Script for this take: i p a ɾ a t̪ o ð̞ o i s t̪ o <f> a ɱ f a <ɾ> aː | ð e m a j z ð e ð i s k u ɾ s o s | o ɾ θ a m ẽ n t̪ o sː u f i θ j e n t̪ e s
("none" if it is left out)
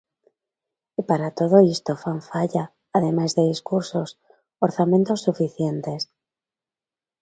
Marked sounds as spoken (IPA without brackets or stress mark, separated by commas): f, ʎ